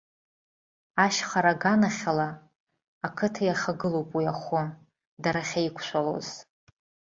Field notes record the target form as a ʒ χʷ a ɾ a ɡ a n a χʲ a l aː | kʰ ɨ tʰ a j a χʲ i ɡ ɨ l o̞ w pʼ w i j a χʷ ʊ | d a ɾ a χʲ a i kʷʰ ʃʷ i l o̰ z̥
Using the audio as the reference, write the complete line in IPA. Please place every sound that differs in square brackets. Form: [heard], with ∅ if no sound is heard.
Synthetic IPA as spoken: a [ʃ] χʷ a ɾ a ɡ a n a χʲ a l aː | kʰ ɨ tʰ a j a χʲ [a] ɡ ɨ l o̞ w pʼ w i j a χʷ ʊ | d a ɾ a χʲ a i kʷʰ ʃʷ [a] l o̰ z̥